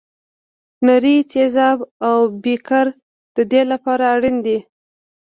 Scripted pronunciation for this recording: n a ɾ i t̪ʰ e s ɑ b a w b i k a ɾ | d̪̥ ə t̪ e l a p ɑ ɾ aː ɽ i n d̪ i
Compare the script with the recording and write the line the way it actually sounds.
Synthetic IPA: n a ɾ i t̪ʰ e z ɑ b a w b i k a ɾ | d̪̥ ə d̪ e l a p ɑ ɾ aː ɽ i n d̪ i